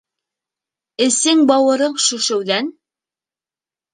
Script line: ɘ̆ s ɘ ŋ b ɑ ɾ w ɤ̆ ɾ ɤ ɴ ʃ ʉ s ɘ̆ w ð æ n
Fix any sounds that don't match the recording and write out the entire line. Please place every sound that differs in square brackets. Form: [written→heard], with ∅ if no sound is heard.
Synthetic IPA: ɘ̆ s ɘ ŋ b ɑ [ɾ→∅] w ɤ̆ ɾ ɤ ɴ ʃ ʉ [s→ʃ] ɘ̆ w ð æ n